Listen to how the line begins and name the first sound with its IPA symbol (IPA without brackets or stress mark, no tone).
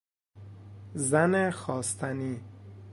z